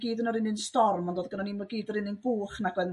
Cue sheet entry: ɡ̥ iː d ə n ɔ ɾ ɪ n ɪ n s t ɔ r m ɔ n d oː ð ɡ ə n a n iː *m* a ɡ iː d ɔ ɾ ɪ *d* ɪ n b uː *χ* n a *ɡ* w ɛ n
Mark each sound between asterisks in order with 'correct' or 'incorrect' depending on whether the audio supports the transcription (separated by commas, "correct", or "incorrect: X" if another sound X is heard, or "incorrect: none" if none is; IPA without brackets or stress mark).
correct, incorrect: n, correct, correct